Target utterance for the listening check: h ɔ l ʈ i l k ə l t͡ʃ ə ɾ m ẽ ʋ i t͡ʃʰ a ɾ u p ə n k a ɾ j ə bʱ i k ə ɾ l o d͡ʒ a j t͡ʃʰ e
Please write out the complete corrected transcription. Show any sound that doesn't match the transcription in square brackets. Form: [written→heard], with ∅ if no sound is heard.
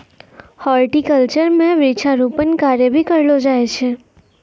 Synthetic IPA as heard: h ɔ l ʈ i [l→∅] k ə l t͡ʃ ə ɾ m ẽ ʋ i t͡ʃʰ a ɾ u p ə n k a ɾ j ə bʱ i k ə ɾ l o d͡ʒ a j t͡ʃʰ e